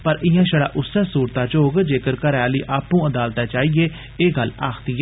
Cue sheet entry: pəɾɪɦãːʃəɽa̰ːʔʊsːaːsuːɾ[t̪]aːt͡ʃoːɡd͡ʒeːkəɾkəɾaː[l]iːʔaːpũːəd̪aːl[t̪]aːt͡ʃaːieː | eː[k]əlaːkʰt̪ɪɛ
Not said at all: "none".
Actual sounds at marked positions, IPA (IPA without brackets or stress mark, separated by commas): t̪, l, t̪, ɡ